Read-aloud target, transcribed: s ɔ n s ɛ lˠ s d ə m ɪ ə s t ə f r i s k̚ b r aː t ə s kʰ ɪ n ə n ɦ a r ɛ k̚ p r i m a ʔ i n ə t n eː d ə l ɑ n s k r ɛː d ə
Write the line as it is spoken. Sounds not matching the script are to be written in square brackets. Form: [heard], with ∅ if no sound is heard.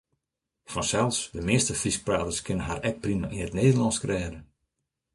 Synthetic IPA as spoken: [f] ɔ n s ɛ lˠ s d ə m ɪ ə s t ə f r i s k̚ [p] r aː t ə s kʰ ɪ n ə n ɦ a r ɛ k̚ p r i m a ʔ i n ə t n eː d ə l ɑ n s k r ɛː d ə